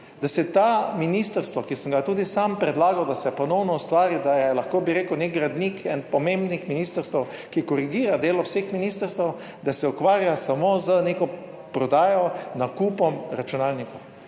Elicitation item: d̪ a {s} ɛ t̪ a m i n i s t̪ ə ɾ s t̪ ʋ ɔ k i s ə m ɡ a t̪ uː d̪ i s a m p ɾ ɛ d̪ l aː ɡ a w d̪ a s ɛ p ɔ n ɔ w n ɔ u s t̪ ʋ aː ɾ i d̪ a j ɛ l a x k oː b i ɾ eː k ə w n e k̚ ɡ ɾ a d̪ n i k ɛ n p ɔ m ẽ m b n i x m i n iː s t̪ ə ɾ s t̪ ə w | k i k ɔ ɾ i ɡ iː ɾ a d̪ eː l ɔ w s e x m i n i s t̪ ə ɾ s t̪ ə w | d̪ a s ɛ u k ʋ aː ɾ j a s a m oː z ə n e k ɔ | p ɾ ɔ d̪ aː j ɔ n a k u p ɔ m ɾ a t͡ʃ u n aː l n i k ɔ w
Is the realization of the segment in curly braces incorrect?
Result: no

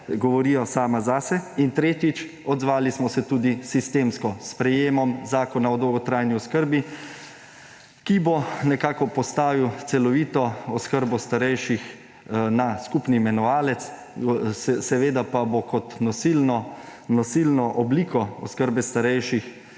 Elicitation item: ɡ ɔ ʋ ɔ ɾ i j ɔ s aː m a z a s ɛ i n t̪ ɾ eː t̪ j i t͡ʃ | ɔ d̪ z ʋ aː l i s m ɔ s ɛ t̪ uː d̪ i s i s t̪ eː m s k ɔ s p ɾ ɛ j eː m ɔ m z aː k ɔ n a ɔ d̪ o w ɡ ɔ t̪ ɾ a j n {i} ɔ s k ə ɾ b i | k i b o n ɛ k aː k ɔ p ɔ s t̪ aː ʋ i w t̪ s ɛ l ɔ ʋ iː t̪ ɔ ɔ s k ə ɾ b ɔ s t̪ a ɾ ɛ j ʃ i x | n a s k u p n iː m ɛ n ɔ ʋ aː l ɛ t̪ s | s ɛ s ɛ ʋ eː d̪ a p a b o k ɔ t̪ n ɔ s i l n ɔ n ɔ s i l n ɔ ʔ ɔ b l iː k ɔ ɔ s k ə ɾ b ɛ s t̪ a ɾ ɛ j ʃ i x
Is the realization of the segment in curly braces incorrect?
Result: no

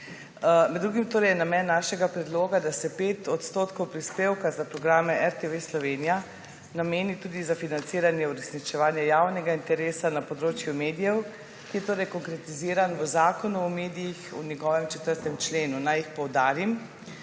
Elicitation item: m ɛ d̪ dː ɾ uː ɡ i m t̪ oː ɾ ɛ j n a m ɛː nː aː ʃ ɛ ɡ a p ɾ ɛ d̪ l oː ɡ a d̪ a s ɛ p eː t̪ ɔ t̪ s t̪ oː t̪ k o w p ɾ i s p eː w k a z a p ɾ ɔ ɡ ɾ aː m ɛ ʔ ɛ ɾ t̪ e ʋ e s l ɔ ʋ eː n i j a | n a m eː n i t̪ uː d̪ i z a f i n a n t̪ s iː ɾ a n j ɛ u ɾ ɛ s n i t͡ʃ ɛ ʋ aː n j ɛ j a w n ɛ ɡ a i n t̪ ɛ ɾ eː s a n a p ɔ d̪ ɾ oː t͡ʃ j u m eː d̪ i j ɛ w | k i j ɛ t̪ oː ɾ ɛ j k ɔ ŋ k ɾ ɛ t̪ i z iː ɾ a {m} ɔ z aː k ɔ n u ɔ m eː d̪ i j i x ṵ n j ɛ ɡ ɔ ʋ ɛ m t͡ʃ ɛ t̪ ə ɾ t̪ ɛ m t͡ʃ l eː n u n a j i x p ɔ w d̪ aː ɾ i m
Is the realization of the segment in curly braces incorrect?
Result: yes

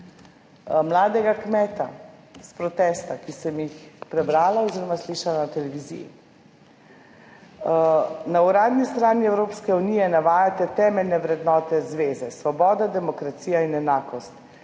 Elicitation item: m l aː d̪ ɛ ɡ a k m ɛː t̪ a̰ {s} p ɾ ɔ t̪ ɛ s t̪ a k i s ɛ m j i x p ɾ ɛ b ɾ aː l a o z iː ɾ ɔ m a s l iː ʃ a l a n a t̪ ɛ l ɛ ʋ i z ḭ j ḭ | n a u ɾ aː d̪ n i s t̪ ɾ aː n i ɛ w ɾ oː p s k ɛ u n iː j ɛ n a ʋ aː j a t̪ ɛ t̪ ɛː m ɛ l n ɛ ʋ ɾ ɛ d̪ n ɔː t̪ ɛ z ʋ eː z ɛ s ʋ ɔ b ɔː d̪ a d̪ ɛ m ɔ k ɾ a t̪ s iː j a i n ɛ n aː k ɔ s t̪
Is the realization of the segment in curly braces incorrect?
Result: no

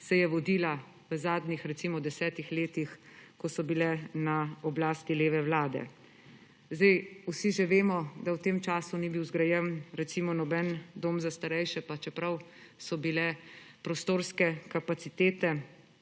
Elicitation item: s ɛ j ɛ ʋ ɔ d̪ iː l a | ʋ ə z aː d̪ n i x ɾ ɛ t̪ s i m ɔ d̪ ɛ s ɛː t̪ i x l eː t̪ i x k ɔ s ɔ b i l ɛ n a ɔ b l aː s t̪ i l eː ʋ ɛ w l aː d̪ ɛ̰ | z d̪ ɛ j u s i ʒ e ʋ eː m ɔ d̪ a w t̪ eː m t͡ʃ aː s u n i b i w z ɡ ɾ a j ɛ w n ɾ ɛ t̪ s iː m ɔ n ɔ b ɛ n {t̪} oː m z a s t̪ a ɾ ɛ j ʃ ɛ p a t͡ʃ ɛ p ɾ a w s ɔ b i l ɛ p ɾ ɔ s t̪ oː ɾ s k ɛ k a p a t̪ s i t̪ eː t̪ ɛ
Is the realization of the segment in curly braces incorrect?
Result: yes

